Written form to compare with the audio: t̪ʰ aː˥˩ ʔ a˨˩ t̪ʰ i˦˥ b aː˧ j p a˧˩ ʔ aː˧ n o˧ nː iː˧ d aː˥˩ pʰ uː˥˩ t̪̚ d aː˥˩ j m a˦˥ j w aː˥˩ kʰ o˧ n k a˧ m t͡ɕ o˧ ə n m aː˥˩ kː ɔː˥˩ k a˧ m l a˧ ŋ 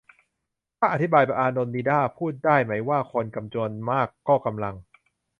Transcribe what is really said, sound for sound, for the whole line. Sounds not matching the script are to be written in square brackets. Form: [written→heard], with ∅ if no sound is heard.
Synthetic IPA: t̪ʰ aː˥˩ ʔ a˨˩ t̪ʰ i˦˥ b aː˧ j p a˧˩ ʔ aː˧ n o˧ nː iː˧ d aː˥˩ pʰ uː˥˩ t̪̚ d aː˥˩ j m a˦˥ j w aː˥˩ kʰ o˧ n k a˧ m t͡ɕ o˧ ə n m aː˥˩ kː ɔː˥˩ k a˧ m l a˧ ŋ